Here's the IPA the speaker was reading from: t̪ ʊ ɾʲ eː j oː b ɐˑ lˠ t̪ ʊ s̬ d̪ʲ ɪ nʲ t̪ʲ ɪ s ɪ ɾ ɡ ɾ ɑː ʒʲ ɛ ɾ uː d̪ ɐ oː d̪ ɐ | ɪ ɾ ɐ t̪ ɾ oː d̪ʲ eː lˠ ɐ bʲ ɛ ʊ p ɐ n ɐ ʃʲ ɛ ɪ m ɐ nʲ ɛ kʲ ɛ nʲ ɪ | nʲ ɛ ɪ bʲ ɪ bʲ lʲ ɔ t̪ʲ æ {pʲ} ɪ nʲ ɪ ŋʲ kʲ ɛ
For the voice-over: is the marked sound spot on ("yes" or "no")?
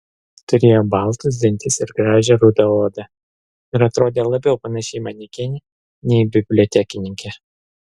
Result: no